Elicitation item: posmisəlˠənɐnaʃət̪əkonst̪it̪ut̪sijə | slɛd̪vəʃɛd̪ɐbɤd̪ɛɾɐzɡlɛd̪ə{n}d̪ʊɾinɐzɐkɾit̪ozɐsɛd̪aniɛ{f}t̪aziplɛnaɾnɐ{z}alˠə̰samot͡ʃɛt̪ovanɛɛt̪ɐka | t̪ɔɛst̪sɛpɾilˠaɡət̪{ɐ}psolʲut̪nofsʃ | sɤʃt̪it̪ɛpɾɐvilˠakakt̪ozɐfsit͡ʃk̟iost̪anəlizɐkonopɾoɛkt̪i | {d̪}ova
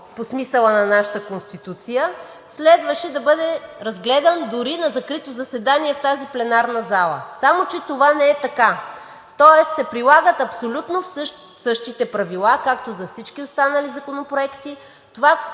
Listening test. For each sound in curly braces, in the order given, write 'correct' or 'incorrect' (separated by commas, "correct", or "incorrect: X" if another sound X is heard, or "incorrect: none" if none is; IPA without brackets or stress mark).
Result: correct, correct, correct, correct, incorrect: t̪